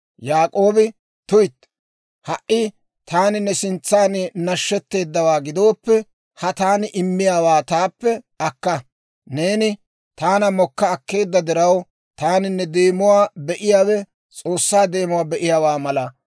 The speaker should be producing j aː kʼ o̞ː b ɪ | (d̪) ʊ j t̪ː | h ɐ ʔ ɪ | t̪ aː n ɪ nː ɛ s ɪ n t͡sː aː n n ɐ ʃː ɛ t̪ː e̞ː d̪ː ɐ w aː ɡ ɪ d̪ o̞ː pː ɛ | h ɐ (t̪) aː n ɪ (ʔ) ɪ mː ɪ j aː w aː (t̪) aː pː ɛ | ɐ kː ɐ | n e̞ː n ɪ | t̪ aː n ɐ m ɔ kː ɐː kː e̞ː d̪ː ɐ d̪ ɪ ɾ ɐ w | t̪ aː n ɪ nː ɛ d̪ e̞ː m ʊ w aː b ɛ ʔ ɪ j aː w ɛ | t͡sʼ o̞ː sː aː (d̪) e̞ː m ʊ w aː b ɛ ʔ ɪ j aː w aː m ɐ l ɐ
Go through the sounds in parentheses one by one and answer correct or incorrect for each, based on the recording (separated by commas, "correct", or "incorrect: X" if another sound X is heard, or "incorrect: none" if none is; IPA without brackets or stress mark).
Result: incorrect: t̪, correct, correct, correct, correct